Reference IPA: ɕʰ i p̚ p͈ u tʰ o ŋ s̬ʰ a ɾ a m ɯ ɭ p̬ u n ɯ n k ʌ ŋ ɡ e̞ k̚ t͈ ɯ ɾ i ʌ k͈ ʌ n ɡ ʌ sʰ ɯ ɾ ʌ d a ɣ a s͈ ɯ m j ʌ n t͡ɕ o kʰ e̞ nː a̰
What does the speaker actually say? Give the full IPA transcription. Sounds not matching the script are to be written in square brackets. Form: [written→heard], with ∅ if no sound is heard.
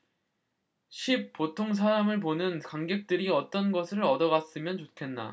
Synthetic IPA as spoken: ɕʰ i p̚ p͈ [u→o] tʰ o ŋ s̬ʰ a ɾ a m ɯ ɭ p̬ [u→o] n ɯ n k [ʌ→a] ŋ ɡ e̞ k̚ t͈ ɯ ɾ i ʌ [k͈→t͈] ʌ n ɡ ʌ sʰ ɯ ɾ ʌ d [a→ʌ] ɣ a s͈ ɯ m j ʌ n t͡ɕ o kʰ e̞ nː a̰